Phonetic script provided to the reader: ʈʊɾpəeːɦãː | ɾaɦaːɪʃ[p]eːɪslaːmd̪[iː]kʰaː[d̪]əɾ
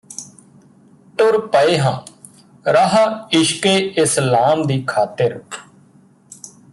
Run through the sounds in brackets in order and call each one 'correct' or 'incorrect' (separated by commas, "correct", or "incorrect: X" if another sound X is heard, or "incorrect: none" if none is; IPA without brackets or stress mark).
incorrect: k, correct, incorrect: t̪